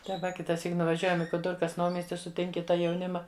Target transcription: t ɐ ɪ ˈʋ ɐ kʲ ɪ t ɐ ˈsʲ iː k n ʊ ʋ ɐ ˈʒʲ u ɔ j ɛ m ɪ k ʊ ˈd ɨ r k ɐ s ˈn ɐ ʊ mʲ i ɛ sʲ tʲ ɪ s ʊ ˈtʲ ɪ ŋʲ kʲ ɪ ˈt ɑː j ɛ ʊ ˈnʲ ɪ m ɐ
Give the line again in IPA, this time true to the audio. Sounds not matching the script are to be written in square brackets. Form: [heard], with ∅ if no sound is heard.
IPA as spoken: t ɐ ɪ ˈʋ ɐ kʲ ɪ t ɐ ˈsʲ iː k n ʊ ʋ ɐ ˈʒʲ u ɔ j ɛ m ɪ k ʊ ˈd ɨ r k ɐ s ˈn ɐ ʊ mʲ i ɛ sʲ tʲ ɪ s ʊ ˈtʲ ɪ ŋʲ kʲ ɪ ˈt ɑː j ɛ ʊ ˈnʲ ɪ m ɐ